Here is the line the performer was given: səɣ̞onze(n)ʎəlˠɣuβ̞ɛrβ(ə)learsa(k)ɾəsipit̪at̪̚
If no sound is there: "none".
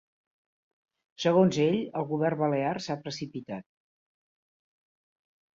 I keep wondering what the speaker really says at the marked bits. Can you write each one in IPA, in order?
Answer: none, ə, p

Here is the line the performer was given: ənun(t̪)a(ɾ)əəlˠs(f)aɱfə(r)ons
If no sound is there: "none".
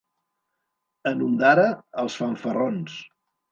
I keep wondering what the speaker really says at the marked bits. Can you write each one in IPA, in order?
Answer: d̪, ɾ, f, r

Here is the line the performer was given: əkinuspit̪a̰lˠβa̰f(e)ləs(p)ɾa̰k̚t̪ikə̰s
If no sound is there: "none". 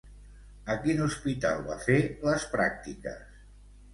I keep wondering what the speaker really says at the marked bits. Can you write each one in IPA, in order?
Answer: e, p

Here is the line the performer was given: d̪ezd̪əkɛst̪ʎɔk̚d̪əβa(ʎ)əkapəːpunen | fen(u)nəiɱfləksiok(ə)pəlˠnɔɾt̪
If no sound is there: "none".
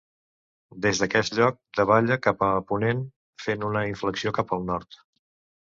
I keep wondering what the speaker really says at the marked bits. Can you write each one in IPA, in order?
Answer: ʎ, u, a

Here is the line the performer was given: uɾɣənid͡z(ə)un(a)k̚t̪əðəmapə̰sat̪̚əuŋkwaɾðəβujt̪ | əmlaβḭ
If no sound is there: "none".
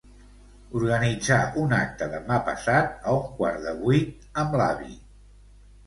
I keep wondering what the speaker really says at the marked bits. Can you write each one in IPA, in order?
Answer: a, a

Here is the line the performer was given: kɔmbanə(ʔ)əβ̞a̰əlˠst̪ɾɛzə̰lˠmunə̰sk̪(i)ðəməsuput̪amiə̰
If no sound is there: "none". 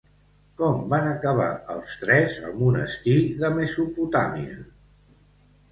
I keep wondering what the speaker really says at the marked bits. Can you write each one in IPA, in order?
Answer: k, i

